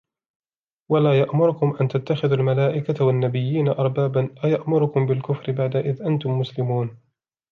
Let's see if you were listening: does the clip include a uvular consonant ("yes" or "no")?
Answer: no